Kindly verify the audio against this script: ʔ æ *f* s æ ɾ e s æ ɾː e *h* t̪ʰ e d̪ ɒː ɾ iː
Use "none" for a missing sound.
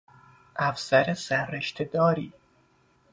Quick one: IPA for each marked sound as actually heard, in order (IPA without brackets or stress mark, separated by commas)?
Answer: f, ʃ